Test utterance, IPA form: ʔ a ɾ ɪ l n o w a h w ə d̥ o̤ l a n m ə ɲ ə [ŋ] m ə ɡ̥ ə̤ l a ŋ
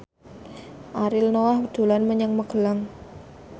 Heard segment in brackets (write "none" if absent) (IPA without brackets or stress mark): ŋ